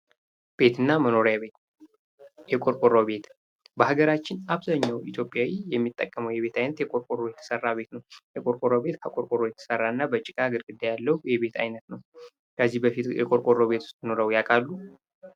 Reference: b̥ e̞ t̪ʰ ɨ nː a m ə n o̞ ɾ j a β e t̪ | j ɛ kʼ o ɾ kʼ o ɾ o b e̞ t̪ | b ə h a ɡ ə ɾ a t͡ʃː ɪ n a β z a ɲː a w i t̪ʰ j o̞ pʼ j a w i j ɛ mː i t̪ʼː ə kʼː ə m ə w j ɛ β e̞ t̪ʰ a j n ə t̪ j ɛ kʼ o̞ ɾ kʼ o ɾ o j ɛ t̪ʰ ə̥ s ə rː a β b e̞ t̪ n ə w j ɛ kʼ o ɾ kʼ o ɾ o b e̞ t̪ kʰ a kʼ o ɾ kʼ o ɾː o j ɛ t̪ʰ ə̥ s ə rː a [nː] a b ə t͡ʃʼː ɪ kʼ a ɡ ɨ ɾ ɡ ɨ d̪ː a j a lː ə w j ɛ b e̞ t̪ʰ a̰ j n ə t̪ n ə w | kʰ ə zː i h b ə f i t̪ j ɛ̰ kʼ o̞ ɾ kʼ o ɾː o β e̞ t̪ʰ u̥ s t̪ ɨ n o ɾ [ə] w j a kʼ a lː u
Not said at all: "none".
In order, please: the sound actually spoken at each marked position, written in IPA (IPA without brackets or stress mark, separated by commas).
nː, ə